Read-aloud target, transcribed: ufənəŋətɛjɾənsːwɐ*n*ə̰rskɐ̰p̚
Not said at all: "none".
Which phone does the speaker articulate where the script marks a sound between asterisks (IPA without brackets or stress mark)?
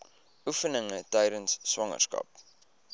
ŋ